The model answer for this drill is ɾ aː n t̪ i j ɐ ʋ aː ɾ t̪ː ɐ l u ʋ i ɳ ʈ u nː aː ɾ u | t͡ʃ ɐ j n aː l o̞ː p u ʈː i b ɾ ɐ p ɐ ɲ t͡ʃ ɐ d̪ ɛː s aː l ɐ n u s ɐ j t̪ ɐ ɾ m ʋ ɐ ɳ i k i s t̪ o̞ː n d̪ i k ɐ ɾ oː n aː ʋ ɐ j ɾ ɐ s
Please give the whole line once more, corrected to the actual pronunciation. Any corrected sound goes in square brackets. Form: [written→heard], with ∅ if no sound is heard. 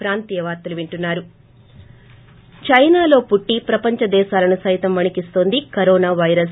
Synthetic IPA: ɾ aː n t̪ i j ɐ ʋ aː ɾ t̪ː ɐ l u ʋ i ɳ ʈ u nː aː ɾ u | t͡ʃ ɐ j n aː l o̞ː p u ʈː i [b→p] ɾ ɐ p ɐ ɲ t͡ʃ ɐ d̪ ɛː [s→ʃ] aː l ɐ n u s ɐ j t̪ ɐ [ɾ→∅] m ʋ ɐ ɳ i k i s t̪ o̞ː n d̪ i k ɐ ɾ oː n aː ʋ ɐ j ɾ ɐ s

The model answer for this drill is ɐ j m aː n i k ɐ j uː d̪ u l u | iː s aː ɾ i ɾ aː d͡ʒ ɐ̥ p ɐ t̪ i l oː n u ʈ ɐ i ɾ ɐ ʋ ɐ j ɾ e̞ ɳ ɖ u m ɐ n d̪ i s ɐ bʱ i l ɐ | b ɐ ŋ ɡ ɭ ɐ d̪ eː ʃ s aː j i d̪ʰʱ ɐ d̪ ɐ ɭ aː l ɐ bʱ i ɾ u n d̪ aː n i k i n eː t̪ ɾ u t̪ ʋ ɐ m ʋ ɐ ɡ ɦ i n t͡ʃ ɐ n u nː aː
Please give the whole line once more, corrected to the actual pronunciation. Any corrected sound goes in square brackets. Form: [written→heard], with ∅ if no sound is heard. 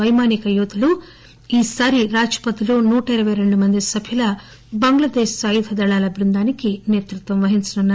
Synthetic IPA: ɐ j m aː n i k ɐ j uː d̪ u l u | iː s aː ɾ i ɾ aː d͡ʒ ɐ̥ p ɐ t̪ i l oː n [u→uː] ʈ ɐ i ɾ ɐ ʋ ɐ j ɾ e̞ ɳ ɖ u m ɐ n d̪ i s ɐ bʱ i l ɐ | b ɐ ŋ ɡ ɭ ɐ d̪ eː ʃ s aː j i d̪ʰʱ ɐ d̪ ɐ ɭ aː l ɐ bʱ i ɾ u n d̪ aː n i k i n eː t̪ ɾ u t̪ ʋ ɐ m ʋ ɐ [ɡ→∅] ɦ i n t͡ʃ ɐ n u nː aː

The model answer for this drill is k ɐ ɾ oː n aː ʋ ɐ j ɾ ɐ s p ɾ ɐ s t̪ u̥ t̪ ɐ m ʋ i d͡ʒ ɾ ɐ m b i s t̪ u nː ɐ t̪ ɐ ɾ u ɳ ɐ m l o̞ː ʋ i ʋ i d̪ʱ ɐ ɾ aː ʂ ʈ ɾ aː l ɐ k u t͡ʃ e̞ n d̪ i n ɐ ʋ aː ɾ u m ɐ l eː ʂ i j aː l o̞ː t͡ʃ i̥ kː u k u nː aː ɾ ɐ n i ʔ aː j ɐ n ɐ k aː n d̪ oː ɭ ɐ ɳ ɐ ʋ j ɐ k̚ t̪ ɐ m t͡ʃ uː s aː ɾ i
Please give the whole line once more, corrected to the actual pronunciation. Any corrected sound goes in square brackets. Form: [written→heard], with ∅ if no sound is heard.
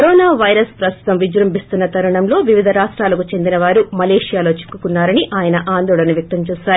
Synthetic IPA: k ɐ ɾ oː n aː ʋ ɐ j ɾ ɐ s p ɾ ɐ s t̪ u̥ t̪ ɐ m ʋ i d͡ʒ ɾ ɐ m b i s t̪ u nː ɐ t̪ ɐ ɾ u ɳ ɐ m l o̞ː ʋ i ʋ i d̪ʱ ɐ ɾ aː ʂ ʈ ɾ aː l ɐ k u t͡ʃ e̞ n d̪ i n ɐ ʋ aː ɾ u m ɐ l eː ʂ i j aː l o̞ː t͡ʃ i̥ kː u k u nː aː ɾ ɐ n i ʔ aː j ɐ n ɐ [k→ʔ] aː n d̪ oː ɭ ɐ [ɳ→n] ɐ ʋ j ɐ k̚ t̪ ɐ m t͡ʃ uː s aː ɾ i

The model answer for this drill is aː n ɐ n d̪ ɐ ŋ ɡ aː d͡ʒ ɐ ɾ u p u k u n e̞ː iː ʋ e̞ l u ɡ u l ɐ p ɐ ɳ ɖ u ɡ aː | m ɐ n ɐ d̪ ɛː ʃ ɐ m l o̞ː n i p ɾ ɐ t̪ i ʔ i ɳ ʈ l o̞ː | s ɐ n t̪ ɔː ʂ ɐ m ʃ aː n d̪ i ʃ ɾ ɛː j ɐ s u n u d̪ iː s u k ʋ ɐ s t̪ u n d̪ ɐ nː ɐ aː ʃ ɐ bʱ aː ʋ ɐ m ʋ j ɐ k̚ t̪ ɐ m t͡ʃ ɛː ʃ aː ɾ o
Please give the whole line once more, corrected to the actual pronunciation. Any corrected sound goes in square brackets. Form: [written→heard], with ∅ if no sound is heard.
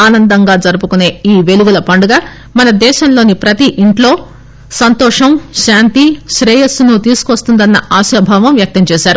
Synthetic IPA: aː n ɐ n d̪ ɐ ŋ ɡ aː d͡ʒ ɐ ɾ u p u k u n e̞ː iː ʋ e̞ l u ɡ u l ɐ p ɐ ɳ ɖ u ɡ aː | m ɐ n ɐ d̪ ɛː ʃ ɐ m l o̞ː n i p ɾ ɐ t̪ i ʔ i ɳ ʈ l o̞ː | s ɐ n t̪ ɔː ʂ ɐ m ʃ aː n [d̪→t̪] i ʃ ɾ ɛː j ɐ s u n u [d̪→t̪] iː s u k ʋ ɐ s t̪ u n d̪ ɐ nː ɐ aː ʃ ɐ bʱ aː ʋ ɐ m ʋ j ɐ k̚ t̪ ɐ m t͡ʃ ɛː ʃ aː ɾ [o→u]

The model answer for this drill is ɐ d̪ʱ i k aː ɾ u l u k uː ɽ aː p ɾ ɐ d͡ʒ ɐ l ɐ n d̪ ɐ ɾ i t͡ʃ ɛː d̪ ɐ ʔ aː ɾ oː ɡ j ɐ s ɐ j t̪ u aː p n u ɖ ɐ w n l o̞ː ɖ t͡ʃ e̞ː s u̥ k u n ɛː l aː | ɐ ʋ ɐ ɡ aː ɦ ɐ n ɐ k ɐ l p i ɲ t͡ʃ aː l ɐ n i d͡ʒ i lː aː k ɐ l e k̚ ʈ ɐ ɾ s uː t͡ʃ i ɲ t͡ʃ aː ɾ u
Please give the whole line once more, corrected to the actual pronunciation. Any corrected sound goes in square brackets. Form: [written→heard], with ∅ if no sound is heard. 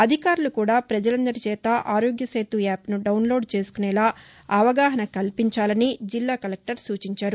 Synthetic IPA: ɐ d̪ʱ i k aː ɾ u l u k uː ɽ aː p ɾ ɐ d͡ʒ ɐ l ɐ n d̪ ɐ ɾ i t͡ʃ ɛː [d̪→t̪] ɐ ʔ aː ɾ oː ɡ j ɐ s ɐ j t̪ u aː p n u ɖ ɐ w n l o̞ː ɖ t͡ʃ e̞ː s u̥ k u n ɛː l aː | ɐ ʋ ɐ ɡ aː ɦ ɐ n ɐ k ɐ l p i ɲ t͡ʃ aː l ɐ n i d͡ʒ i lː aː k ɐ l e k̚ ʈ ɐ ɾ s uː t͡ʃ i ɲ t͡ʃ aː ɾ u

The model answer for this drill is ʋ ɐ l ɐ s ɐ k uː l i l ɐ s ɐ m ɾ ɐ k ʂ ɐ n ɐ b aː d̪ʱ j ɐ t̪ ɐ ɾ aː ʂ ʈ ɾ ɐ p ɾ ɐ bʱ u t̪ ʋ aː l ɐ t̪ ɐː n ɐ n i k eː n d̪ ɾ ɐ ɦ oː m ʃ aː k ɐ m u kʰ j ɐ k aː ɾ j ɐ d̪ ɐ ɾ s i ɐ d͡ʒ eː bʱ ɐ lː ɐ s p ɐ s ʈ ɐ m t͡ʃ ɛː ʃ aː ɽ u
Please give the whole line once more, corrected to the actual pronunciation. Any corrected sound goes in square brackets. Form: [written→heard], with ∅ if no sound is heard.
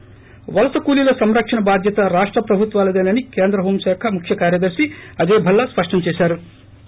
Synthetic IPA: ʋ ɐ l ɐ s ɐ k uː l i l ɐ s ɐ m ɾ ɐ k ʂ ɐ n ɐ b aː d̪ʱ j ɐ t̪ ɐ ɾ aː ʂ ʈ ɾ ɐ p ɾ ɐ bʱ u t̪ ʋ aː l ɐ [t̪→d̪] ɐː n ɐ n i k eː n d̪ ɾ ɐ ɦ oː m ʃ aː [k→kʰ] ɐ m u kʰ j ɐ k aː ɾ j ɐ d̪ ɐ ɾ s i ɐ d͡ʒ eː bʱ ɐ lː ɐ s p ɐ [s→ʂ] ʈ ɐ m t͡ʃ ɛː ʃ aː [ɽ→ɾ] u

